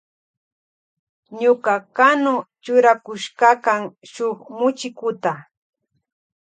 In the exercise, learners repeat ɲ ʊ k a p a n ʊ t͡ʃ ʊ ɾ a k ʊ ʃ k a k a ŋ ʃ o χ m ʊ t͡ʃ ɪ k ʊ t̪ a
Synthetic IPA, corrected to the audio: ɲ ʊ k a k a n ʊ t͡ʃ ʊ ɾ a k ʊ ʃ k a k a ŋ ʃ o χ m ʊ t͡ʃ ɪ k ʊ t̪ a